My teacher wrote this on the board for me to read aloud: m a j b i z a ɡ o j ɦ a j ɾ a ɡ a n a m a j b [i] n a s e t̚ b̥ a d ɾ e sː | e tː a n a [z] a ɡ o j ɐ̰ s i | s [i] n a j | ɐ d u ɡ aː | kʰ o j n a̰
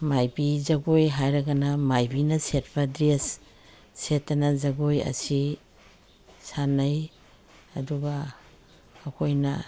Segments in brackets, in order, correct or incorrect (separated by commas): correct, correct, incorrect